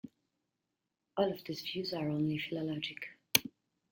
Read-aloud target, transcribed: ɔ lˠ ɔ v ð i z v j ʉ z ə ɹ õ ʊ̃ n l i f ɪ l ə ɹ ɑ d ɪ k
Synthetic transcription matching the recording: ɔ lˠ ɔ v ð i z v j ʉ z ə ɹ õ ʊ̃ n l i f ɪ l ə l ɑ d͡ʒ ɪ k